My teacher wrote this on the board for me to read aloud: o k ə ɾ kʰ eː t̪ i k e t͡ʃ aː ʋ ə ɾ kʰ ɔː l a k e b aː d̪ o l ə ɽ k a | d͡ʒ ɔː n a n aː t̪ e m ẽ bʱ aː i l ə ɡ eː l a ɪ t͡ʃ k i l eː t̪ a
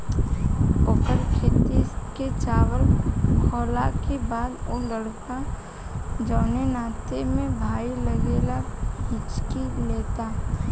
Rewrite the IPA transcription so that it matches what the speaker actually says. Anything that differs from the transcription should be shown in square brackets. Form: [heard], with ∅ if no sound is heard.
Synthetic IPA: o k ə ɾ kʰ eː t̪ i k e t͡ʃ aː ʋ ə [l] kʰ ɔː l a k e b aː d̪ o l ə ɽ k a | d͡ʒ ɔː n [e] n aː t̪ e m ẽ bʱ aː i l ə ɡ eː l a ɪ t͡ʃ k i l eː t̪ a